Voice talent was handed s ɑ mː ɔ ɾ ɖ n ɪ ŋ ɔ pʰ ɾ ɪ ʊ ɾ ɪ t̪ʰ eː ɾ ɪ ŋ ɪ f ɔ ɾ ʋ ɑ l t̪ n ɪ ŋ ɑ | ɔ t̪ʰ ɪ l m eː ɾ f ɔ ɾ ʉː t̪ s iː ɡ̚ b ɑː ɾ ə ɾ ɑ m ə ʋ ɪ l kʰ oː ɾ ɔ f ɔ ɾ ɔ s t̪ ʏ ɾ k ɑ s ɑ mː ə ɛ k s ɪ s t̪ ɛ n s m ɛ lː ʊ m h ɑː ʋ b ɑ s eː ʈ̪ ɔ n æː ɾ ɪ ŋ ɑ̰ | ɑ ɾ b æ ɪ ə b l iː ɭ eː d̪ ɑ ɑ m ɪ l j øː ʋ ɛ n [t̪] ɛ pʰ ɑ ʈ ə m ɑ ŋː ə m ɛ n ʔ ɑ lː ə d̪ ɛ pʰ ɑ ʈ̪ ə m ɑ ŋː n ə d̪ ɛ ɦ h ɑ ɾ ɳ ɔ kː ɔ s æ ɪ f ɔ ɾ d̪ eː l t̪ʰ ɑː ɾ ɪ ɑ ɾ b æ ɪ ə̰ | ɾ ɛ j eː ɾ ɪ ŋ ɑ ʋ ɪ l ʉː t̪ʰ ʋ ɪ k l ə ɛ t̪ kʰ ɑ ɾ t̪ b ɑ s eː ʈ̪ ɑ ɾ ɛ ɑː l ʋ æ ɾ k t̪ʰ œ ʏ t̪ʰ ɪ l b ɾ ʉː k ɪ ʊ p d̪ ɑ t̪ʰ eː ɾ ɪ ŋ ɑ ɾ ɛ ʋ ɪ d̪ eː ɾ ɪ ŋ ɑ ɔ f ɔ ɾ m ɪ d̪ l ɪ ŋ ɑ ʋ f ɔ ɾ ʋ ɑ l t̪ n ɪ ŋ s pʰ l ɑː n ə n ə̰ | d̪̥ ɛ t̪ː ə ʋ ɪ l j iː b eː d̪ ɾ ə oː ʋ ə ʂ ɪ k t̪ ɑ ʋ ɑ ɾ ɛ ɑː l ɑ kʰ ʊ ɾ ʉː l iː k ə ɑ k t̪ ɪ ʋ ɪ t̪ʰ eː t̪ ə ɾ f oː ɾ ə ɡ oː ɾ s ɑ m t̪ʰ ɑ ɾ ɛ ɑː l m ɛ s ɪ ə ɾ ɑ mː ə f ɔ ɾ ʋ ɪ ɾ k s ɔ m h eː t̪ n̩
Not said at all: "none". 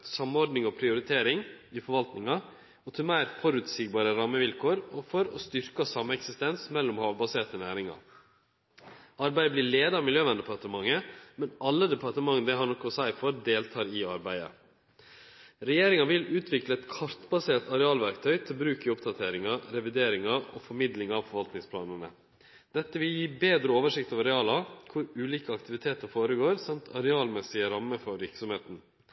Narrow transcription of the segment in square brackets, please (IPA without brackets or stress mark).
d̪